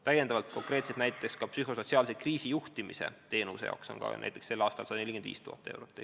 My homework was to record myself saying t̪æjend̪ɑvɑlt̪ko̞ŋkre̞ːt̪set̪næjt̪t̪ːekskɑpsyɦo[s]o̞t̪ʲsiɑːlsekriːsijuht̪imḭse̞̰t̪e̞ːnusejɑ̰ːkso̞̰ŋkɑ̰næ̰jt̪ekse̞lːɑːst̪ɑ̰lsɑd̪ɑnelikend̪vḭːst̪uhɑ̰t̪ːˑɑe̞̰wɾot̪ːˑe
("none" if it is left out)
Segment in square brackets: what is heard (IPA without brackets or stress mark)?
s